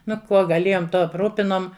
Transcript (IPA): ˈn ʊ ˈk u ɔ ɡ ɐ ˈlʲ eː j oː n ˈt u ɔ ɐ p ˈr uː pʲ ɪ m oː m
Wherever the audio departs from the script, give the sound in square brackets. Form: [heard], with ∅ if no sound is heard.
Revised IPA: ˈn ʊ ˈk u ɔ ɡ ɐ ˈlʲ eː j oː [m] ˈt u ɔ ɐ p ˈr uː pʲ ɪ [n] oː m